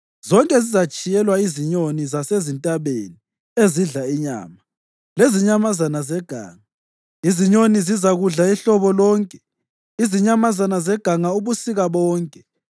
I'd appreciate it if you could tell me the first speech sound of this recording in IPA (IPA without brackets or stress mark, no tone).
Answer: z